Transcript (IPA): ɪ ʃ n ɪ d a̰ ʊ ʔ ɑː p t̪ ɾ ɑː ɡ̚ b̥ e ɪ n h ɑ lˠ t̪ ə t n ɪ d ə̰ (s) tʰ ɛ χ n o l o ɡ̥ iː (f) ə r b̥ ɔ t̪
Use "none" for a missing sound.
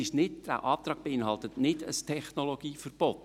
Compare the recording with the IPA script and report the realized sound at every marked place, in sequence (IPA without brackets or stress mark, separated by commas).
s, f